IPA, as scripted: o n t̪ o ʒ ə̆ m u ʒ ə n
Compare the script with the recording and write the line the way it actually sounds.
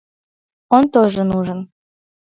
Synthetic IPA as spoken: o n t̪ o ʒ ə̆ n u ʒ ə n